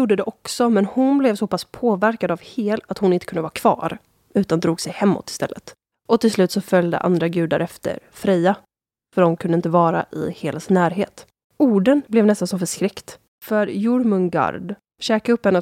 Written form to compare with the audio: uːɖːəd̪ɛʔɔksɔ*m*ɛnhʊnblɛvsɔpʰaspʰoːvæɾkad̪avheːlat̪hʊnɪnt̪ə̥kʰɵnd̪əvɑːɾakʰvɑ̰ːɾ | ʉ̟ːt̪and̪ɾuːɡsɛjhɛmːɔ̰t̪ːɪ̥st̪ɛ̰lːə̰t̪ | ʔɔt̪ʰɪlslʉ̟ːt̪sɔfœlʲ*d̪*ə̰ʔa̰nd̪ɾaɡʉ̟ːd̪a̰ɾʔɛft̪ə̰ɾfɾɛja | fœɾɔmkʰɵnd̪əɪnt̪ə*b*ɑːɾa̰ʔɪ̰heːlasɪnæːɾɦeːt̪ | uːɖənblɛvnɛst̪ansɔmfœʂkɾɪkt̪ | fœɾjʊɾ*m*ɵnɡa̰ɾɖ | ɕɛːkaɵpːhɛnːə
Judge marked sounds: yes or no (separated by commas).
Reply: yes, yes, no, yes